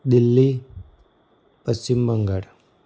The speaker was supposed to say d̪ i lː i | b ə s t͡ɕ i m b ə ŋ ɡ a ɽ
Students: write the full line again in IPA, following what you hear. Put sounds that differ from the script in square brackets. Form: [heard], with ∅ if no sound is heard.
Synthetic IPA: d̪ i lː i | [p] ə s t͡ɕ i m b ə ŋ ɡ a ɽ

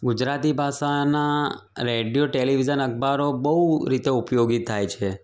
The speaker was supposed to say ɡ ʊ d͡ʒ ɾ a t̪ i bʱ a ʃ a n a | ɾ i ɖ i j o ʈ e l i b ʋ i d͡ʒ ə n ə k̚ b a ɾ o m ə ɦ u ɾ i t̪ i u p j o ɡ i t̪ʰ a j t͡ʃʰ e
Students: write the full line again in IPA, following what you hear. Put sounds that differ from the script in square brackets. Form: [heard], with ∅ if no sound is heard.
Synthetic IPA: ɡ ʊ d͡ʒ ɾ a t̪ i bʱ a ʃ a n a | ɾ [e] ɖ i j o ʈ e l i [∅] ʋ i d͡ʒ ə n ə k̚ b a ɾ o [b] ə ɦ u ɾ i t̪ [e] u p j o ɡ i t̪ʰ a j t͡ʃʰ e

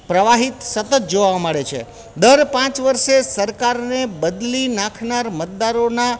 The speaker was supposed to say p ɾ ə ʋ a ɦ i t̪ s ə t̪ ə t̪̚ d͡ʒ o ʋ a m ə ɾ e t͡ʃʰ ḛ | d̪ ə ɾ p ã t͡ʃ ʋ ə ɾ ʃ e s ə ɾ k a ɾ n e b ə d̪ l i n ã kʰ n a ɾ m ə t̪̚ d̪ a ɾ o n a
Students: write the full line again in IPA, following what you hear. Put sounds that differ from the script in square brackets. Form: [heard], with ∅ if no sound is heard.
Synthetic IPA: p ɾ ə ʋ a ɦ i t̪ s ə t̪ ə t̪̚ d͡ʒ o ʋ a m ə [ɭ] e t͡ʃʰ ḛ | d̪ ə ɾ p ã t͡ʃ ʋ ə ɾ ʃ e s ə ɾ k a ɾ n e b ə d̪ l i n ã kʰ n a ɾ m ə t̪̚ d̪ a ɾ o n a

